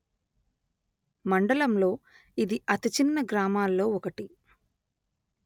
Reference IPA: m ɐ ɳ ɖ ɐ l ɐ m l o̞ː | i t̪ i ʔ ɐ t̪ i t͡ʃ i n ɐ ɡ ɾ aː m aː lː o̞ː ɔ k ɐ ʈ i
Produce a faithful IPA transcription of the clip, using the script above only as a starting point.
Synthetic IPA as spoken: m ɐ ɳ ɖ ɐ l ɐ m l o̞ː | i d̪ i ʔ ɐ t̪ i t͡ʃ i nː ɐ ɡ ɾ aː m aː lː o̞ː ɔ k ɐ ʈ i